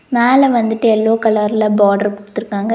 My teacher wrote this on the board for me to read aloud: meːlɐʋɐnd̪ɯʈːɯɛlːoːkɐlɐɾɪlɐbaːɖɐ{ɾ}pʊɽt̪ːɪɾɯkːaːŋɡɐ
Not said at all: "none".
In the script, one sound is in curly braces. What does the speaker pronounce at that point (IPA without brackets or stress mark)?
ɾ